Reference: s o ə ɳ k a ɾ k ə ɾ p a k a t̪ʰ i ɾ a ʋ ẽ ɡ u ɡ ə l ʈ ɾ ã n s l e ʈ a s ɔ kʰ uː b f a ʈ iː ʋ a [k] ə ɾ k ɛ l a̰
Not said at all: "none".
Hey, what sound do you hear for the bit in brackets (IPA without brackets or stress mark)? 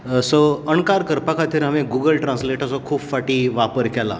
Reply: p